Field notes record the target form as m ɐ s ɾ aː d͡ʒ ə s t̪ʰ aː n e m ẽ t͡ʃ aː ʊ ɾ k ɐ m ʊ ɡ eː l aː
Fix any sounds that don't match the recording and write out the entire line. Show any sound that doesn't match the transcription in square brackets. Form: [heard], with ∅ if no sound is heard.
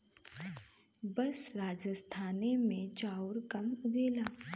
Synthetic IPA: [b] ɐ s ɾ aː d͡ʒ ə s t̪ʰ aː n e m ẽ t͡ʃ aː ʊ ɾ k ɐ m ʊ ɡ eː l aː

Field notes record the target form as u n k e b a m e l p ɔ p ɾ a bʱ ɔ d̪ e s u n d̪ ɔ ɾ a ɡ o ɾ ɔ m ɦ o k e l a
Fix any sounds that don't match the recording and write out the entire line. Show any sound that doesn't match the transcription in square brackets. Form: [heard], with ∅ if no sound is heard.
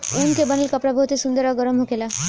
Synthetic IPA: u n k e b a [n] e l [k] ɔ p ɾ a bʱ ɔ [t̪] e s u n d̪ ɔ ɾ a ɡ [ɔ] ɾ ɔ m ɦ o k e l a

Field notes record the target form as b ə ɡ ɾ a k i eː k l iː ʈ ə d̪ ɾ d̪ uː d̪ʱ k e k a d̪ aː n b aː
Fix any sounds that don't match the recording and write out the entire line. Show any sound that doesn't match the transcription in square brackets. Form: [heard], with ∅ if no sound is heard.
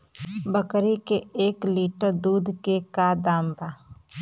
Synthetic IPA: b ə [k] ɾ [i] k [e] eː k l iː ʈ ə [∅] ɾ d̪ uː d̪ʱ k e k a d̪ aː [m] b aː

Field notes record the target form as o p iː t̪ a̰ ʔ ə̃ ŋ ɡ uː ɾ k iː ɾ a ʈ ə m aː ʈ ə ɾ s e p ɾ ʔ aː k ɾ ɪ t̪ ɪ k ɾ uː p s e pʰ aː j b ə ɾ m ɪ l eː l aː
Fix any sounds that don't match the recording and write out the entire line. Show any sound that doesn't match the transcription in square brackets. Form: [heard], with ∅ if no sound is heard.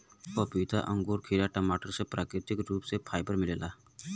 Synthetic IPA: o p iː t̪ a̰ ʔ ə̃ ŋ ɡ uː ɾ [kʰ] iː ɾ a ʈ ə m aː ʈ ə ɾ s e p ɾ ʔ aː k ɾ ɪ t̪ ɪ k ɾ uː p s e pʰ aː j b ə ɾ m ɪ l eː l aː

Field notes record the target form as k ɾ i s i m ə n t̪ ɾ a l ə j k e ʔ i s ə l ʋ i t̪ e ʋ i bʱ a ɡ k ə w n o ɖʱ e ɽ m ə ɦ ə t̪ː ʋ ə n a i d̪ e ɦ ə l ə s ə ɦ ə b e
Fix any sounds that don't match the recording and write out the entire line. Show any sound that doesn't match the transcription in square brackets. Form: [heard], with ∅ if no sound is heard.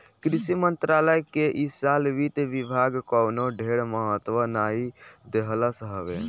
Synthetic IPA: k ɾ i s i m ə n t̪ ɾ a l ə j k e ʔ i s [a] l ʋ i t̪ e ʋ i bʱ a ɡ k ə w n o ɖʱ e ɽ m ə ɦ ə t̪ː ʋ ə n a i d̪ e ɦ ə l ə s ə ɦ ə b e

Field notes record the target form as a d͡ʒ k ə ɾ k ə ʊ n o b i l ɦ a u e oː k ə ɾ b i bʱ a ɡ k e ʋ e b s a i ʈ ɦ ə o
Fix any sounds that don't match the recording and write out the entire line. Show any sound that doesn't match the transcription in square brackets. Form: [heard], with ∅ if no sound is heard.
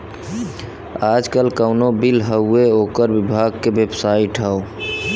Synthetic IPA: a d͡ʒ k ə [l] k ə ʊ n o b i l ɦ [ə] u e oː k ə ɾ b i bʱ a ɡ k e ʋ e b s a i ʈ ɦ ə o

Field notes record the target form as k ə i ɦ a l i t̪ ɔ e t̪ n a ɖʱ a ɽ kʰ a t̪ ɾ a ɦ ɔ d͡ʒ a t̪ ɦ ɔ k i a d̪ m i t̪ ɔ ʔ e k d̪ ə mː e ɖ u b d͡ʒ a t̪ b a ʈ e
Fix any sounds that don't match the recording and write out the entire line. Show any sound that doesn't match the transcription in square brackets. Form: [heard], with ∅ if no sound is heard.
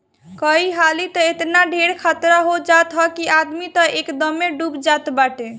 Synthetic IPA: k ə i ɦ a l i t̪ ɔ e t̪ n a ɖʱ [e] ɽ kʰ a t̪ ɾ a ɦ [o] d͡ʒ a t̪ ɦ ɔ k i a d̪ m i t̪ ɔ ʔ e k d̪ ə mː e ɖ u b d͡ʒ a t̪ b a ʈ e

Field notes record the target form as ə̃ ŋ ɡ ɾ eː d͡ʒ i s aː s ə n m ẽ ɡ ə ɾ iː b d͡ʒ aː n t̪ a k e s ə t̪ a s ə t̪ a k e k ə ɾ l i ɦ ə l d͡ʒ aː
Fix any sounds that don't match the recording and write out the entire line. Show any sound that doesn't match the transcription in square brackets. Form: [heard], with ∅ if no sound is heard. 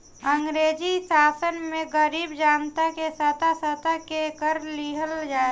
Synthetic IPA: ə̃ ŋ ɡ ɾ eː d͡ʒ i s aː s ə n m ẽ ɡ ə ɾ iː b d͡ʒ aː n t̪ a k e s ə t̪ a s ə t̪ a k e k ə ɾ l i ɦ ə l d͡ʒ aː

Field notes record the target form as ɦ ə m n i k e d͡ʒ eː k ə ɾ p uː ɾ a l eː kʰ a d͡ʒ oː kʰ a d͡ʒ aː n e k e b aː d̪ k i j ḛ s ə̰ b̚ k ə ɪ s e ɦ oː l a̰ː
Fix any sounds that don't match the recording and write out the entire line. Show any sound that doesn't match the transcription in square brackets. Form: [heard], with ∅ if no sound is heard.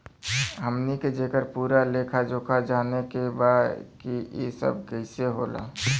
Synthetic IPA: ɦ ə m n i k e d͡ʒ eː k ə ɾ p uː ɾ a l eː kʰ a d͡ʒ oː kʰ a d͡ʒ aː n e k e b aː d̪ k i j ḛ s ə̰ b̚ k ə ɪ s e ɦ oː l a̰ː

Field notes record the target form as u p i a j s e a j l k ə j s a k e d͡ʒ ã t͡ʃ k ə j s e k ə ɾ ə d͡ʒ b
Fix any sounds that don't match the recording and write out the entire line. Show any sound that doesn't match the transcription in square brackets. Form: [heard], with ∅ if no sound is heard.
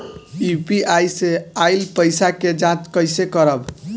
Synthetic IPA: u p i a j s e a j l [p] ə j s a k e d͡ʒ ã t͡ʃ k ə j s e k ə ɾ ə [∅] b

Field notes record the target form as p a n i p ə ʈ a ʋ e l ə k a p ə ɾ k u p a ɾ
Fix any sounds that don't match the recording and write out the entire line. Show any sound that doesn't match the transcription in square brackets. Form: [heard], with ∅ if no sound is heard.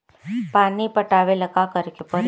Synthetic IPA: p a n i p ə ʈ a ʋ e l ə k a [k] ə ɾ k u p [ə] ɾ

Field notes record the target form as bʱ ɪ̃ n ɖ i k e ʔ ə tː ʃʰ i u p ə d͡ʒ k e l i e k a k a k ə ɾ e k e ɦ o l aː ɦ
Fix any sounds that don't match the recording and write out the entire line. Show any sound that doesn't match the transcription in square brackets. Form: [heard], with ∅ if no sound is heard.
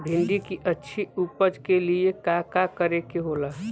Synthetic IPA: bʱ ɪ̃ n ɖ i k [i] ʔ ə tː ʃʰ i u p ə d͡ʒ k e l i e k a k a k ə ɾ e k e ɦ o l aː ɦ

